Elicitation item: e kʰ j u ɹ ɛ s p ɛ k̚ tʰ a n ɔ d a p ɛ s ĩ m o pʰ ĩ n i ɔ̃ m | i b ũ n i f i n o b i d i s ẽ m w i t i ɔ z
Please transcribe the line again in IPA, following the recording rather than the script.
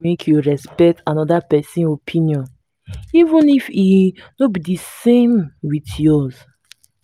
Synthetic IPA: e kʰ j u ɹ ɛ s p ɛ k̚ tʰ a n ɔ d a p ɛ s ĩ n o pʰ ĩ n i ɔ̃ n | i v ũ n i f i n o b i d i s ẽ m w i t j ɔ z